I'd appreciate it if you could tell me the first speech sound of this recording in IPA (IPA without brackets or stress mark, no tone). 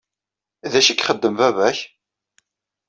ð